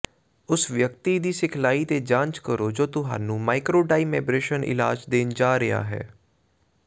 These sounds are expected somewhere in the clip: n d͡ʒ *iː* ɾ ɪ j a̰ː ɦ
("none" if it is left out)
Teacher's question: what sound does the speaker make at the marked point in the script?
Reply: aː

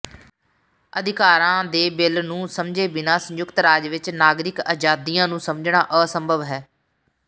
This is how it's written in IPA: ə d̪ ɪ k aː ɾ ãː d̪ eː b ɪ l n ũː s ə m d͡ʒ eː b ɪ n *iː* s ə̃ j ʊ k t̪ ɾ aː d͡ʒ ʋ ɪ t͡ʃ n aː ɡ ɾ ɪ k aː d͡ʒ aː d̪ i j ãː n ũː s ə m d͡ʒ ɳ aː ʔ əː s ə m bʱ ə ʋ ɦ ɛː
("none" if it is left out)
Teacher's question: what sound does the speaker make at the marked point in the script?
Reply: aː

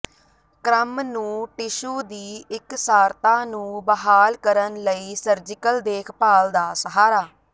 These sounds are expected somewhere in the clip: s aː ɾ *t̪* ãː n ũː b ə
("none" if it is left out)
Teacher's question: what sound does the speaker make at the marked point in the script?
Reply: t̪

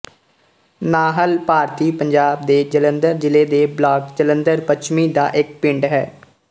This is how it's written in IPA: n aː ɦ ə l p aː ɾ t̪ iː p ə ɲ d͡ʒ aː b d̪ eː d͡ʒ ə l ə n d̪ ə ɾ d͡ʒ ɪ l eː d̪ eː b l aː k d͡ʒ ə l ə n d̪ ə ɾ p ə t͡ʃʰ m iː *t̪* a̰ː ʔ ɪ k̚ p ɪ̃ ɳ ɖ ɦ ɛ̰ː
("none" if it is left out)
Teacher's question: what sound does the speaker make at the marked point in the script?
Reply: d̪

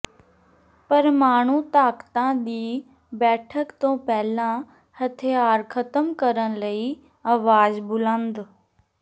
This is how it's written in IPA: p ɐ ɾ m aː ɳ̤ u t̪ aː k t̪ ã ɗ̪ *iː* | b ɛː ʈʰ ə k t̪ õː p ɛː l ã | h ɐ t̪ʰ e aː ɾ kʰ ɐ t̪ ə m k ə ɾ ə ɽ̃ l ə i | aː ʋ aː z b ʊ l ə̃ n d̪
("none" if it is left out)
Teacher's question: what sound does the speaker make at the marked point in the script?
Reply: iː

